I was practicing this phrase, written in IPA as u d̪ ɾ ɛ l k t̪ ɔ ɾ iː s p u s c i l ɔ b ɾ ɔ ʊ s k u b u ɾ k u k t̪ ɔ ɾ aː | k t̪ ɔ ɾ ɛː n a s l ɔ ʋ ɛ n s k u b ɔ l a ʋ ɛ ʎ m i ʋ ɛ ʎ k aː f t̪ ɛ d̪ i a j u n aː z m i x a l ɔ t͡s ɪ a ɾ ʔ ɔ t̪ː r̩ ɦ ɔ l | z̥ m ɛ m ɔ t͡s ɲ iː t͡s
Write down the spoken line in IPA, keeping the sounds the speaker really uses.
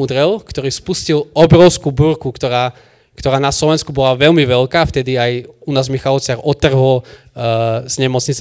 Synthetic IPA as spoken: u d̪ ɾ ɛ l k t̪ ɔ ɾ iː s p u s c i l ɔ b ɾ ɔ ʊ s k u b u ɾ k u k t̪ ɔ ɾ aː | k t̪ ɔ ɾ aː n a s l ɔ ʋ ɛ n s k u b ɔ l a ʋ ɛ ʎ m i ʋ ɛ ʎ k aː f t̪ ɛ d̪ i a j u n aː z m i x a l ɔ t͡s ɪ a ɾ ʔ ɔ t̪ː r̩ ɦ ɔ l | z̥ ɲ ɛ m ɔ t͡s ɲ i t͡s